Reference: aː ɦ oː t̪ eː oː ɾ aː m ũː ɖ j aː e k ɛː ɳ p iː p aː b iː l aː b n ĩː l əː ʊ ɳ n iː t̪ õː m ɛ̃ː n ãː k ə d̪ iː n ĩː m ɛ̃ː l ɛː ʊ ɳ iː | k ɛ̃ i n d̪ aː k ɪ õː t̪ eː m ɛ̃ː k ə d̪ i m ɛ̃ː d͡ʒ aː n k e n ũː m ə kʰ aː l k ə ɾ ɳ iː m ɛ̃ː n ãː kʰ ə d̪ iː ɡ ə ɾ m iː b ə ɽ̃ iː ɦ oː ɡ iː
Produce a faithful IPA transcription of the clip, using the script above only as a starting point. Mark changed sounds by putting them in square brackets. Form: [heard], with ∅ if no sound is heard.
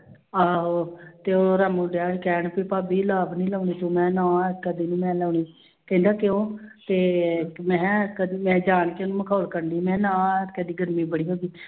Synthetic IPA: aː ɦ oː t̪ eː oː ɾ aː m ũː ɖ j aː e k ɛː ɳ p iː p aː b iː l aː b n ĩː l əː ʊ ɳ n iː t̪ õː m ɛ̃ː n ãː k ə d̪ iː n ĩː m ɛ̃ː l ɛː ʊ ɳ iː | k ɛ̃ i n d̪ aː k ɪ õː t̪ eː m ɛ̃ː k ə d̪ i m ɛ̃ː d͡ʒ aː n k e n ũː m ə kʰ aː l k ə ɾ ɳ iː m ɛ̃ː n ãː [k] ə d̪ iː ɡ ə ɾ m iː b ə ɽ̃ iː ɦ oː ɡ iː